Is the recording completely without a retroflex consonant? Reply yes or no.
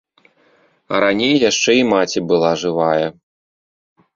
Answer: no